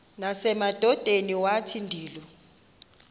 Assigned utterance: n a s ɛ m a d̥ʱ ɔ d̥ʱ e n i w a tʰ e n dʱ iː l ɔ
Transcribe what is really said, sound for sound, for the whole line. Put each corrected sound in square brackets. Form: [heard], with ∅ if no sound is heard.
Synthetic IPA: n a s ɛ m a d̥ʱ ɔ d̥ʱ e n i w a tʰ [i] n dʱ iː l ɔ

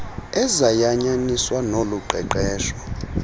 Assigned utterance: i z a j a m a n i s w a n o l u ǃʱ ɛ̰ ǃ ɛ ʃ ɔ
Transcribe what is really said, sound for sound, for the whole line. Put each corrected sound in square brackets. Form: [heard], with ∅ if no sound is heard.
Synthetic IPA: [ɛ] z a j a [ɲ] a n i s w a n o l u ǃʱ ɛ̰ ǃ [ɛː] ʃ ɔ

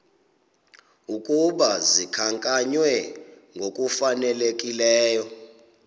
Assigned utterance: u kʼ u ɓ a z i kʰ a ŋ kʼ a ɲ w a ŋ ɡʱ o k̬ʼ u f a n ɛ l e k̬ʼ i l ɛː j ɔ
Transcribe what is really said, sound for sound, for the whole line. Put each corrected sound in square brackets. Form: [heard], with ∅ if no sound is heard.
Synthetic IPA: u kʼ u ɓ a z i kʰ a ŋ kʼ a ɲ w [ɛ] ŋ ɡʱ o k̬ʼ u f a n ɛ l e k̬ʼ i l ɛː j ɔ

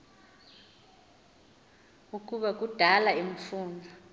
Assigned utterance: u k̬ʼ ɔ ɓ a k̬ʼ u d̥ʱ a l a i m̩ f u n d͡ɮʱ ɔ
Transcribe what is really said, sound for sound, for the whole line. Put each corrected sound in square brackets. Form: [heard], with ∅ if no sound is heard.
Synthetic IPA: u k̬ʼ [u] ɓ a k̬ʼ u d̥ʱ a l a i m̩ f [uː] n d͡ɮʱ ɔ

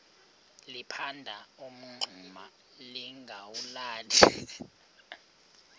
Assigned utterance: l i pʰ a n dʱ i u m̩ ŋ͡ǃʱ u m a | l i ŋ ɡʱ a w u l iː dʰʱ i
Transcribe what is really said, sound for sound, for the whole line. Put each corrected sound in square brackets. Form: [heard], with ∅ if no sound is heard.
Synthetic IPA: l i pʰ a n dʱ [a] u m̩ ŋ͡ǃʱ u m a | l i ŋ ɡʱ a w u l [aː] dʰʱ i

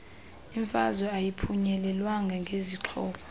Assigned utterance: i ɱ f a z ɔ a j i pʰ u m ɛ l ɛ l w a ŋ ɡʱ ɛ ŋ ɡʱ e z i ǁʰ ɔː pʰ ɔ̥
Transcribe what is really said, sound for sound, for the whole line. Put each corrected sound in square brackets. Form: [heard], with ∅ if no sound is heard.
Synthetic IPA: i ɱ f a z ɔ a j i pʰ u [ɲ] ɛ l ɛ l w a ŋ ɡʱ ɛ ŋ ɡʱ e z i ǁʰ ɔː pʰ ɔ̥

